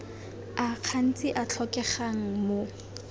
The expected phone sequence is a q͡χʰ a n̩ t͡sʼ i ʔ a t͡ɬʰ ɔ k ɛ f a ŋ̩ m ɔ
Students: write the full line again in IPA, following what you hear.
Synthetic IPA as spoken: a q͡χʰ a n̩ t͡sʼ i ʔ a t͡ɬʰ ɔ k ɛ χ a ŋ̩ m o